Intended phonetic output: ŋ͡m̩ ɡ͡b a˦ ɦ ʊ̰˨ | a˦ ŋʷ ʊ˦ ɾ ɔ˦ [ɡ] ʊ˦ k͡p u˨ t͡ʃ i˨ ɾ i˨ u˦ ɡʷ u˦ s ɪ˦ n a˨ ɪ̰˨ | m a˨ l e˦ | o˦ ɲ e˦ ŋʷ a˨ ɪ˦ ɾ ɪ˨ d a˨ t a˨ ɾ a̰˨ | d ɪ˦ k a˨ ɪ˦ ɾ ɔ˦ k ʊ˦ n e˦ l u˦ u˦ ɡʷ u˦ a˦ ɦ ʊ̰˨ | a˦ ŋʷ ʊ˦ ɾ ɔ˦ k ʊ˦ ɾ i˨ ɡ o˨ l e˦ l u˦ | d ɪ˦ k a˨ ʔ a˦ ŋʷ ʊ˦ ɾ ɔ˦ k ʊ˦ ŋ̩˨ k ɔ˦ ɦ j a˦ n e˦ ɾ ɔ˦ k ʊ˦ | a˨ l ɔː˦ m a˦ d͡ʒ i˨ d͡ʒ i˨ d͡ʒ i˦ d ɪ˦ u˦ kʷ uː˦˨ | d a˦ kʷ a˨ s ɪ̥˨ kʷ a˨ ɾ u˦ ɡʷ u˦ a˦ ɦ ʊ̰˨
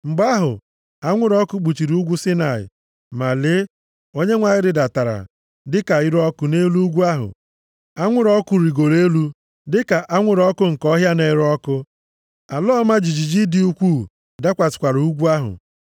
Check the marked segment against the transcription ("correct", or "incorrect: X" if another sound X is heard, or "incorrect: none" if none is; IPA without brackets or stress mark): incorrect: k